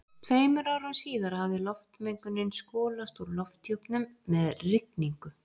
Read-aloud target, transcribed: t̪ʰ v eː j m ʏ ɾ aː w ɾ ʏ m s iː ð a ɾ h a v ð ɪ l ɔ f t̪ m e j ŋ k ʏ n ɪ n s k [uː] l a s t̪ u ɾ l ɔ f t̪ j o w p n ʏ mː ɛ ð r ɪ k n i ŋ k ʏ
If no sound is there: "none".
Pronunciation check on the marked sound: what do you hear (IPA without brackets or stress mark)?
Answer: ɔː